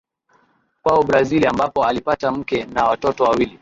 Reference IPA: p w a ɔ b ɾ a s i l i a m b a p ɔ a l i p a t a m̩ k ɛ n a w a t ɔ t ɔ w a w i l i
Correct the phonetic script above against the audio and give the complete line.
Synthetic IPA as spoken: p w a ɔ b ɾ a z i l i a m b a p ɔ a l i p a t a m̩ k ɛ n a w a t ɔ t ɔ w a w i l i